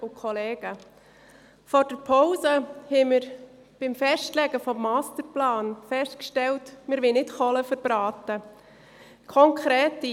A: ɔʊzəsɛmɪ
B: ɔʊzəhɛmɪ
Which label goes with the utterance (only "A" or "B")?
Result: B